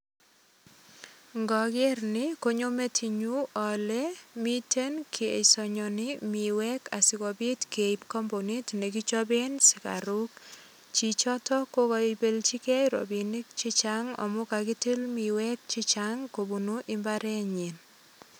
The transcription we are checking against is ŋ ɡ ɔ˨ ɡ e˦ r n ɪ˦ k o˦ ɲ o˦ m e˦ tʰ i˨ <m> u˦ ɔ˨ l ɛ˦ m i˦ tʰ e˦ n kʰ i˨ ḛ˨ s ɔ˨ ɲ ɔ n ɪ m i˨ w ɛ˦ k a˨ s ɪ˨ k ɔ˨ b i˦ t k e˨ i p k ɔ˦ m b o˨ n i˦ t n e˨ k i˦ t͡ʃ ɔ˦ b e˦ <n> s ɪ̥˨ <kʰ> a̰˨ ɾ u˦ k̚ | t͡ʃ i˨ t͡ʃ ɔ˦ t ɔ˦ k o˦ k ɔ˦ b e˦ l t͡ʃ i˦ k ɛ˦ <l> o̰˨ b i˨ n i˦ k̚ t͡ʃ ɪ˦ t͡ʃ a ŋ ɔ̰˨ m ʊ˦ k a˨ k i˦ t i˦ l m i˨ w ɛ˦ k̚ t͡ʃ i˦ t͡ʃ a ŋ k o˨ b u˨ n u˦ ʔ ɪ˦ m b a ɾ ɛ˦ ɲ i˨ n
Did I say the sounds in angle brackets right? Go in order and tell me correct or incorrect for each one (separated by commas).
incorrect, correct, incorrect, incorrect